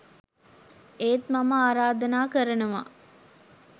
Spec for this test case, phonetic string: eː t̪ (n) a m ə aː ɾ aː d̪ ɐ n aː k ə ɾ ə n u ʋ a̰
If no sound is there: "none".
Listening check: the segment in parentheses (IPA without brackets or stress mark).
m